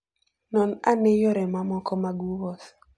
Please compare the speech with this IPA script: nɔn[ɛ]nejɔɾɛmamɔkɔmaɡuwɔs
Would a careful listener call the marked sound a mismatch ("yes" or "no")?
yes